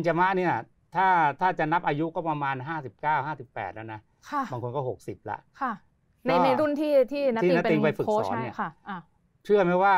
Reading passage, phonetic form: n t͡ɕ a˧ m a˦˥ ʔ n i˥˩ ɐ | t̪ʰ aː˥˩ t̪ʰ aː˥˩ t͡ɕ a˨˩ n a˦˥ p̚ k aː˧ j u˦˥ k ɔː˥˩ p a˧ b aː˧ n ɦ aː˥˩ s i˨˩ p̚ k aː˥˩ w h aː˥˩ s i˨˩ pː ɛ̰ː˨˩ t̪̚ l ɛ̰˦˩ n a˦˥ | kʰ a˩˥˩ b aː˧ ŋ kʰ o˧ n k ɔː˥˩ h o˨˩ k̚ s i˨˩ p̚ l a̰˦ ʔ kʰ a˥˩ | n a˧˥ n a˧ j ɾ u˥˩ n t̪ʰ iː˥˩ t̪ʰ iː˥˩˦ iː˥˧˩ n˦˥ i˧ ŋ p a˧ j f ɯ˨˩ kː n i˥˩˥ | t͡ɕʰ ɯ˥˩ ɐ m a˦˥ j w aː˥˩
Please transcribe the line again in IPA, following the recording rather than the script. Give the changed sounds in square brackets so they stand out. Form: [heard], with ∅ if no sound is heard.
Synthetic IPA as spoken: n t͡ɕ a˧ m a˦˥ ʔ n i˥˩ ɐ | t̪ʰ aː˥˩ t̪ʰ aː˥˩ t͡ɕ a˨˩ n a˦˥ p̚ [ʔ] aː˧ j u˦˥ k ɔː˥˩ p a˧ [m] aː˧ n ɦ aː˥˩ s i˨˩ p̚ k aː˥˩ w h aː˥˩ s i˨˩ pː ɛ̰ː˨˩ t̪̚ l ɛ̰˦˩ n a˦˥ | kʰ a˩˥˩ b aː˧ ŋ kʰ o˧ n k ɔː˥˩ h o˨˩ k̚ s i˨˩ p̚ l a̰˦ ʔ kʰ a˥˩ | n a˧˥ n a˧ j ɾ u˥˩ n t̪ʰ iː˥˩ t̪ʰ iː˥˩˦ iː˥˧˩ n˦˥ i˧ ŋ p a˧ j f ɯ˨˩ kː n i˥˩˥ | t͡ɕʰ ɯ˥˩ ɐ m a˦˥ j w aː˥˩